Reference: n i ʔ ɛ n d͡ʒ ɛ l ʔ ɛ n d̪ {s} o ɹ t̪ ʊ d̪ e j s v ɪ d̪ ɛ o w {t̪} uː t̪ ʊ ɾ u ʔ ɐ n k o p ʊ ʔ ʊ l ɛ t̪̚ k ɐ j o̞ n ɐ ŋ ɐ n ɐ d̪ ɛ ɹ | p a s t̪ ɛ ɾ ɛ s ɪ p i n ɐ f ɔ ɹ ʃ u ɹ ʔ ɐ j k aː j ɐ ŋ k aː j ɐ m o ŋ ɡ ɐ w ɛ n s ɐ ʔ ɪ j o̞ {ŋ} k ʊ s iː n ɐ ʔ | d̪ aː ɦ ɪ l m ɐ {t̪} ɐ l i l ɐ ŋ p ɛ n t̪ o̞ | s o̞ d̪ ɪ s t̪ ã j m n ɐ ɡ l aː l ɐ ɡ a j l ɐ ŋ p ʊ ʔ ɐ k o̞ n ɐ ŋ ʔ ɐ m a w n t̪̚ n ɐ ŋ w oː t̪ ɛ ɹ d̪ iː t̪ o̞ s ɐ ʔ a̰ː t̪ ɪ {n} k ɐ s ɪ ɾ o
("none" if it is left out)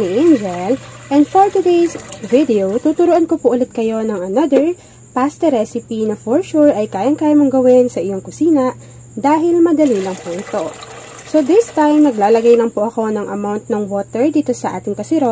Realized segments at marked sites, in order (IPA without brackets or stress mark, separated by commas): f, t̪, ŋ, d̪, ŋ